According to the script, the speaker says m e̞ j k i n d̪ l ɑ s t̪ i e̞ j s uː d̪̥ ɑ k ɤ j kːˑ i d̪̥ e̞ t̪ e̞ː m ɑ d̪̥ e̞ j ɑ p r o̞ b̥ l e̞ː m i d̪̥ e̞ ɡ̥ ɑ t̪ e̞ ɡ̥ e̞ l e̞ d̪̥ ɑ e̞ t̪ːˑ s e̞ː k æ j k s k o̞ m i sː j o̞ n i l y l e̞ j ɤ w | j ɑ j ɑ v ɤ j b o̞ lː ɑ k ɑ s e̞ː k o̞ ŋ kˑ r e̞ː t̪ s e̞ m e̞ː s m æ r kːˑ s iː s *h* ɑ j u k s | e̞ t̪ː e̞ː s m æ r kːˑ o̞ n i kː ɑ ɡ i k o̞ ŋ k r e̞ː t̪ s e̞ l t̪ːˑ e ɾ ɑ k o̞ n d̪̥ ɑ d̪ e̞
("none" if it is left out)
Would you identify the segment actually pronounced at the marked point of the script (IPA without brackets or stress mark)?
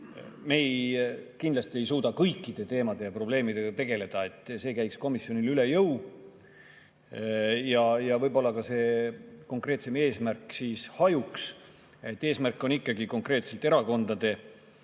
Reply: h